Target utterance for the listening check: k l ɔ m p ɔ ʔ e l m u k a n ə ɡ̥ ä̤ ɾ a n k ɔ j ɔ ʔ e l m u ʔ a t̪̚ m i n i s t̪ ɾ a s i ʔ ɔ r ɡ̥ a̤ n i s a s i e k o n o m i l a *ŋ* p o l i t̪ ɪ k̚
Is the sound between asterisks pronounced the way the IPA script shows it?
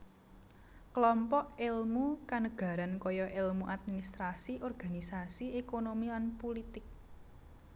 no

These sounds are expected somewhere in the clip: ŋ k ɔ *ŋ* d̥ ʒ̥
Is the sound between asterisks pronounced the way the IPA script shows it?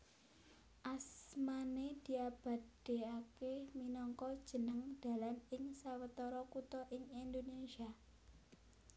no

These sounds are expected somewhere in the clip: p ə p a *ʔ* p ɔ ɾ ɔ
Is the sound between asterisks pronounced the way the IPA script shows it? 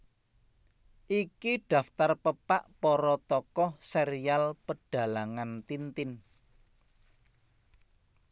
yes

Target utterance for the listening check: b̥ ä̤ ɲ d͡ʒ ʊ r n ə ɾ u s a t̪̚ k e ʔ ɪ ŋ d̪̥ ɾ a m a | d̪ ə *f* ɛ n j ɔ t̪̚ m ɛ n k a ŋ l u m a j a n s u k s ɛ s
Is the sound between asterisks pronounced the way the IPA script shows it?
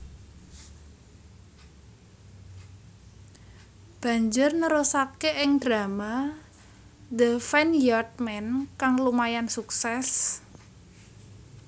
yes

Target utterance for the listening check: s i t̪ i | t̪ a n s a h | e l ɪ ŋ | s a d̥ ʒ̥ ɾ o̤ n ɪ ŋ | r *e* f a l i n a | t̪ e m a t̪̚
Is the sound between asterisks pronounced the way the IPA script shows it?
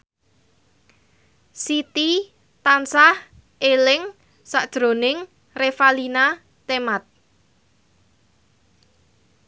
yes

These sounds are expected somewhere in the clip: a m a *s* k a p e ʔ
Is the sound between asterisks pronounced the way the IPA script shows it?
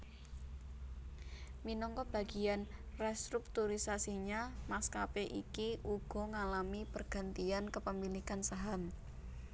yes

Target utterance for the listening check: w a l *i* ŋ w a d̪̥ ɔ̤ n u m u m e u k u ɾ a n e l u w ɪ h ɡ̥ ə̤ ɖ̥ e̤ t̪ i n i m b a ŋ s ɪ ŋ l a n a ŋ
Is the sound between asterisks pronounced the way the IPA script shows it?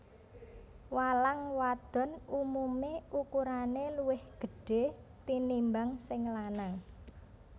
no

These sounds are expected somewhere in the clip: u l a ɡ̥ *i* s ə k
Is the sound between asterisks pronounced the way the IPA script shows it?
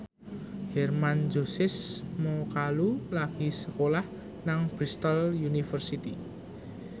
yes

